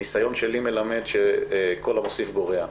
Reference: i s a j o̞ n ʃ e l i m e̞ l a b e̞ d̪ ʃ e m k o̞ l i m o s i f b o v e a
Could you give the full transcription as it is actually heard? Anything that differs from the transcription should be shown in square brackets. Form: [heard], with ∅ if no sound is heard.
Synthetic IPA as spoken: i s a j o̞ n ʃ e l i m e̞ l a [m] e̞ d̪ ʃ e [∅] k o̞ l [a] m o s i f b o [ʁ] e a